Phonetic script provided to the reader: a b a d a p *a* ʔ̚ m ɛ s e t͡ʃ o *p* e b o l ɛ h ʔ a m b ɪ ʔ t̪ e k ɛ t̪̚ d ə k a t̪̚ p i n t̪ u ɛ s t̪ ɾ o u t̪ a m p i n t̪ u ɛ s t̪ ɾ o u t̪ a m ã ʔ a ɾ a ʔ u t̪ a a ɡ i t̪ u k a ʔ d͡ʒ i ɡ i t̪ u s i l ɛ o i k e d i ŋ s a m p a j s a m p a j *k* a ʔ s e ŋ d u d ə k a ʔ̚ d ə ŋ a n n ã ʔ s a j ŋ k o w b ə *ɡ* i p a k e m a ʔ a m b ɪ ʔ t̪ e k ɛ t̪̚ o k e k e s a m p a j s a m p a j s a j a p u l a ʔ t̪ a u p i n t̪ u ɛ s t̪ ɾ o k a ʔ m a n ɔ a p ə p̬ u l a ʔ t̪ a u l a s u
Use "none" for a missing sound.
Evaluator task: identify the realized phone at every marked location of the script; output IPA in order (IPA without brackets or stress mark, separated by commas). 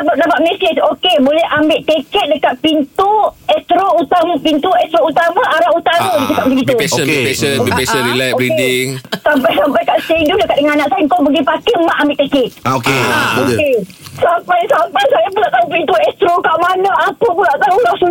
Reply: a, k, k, ɡ